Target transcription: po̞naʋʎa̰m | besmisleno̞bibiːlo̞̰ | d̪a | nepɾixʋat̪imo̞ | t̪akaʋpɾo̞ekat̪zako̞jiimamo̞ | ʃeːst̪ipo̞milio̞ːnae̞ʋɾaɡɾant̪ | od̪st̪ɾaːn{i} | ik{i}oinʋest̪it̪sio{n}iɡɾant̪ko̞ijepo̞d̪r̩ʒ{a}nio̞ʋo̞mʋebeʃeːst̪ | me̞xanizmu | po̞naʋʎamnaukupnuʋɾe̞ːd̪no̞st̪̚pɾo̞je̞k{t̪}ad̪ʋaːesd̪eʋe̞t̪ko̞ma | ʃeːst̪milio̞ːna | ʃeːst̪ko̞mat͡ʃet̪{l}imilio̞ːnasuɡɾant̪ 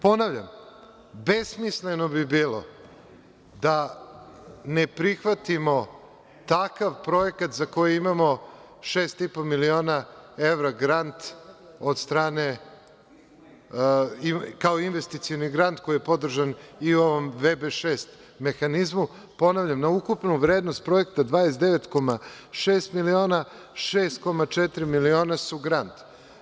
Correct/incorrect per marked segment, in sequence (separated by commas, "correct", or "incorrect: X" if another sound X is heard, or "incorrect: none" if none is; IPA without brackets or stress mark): incorrect: e, incorrect: a, correct, correct, correct, incorrect: ɾ